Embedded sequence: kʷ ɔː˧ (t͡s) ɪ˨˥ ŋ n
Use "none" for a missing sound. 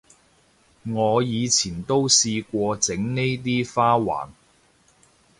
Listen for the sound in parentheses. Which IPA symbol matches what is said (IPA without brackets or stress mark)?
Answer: t͡s